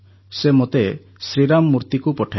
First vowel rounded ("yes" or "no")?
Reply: no